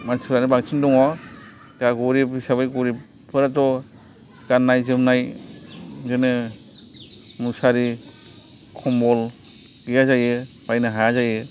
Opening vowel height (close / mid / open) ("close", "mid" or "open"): open